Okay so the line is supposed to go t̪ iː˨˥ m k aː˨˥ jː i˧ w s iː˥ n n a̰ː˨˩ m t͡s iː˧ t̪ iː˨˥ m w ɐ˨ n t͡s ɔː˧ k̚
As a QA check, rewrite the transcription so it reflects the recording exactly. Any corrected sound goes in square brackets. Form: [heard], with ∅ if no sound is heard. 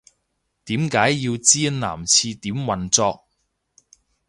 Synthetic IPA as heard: t̪ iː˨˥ m k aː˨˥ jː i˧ w [t͡s] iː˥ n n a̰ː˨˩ m [t͡sʰ] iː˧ t̪ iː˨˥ m w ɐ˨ n t͡s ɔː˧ k̚

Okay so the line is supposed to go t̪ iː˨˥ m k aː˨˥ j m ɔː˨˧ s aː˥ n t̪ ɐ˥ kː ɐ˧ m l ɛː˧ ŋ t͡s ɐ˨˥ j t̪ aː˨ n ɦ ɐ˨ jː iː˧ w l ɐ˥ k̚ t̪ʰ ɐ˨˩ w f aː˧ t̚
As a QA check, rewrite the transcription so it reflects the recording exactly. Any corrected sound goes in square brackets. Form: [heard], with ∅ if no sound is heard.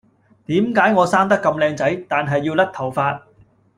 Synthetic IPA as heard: t̪ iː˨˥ m k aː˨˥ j [ŋ] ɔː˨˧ s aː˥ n t̪ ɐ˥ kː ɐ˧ m l ɛː˧ ŋ t͡s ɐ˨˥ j t̪ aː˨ n ɦ ɐ˨ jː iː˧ w l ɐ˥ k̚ t̪ʰ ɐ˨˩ w f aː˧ t̚

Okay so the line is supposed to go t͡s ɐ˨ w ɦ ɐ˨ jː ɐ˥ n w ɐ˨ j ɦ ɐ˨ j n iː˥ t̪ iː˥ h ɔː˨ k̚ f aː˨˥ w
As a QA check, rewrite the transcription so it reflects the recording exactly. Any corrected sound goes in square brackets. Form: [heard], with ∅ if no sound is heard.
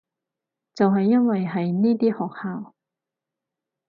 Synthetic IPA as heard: t͡s ɐ˨ w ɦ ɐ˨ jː ɐ˥ n w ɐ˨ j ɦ ɐ˨ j n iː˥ t̪ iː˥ h ɔː˨ k̚ [h] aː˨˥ w

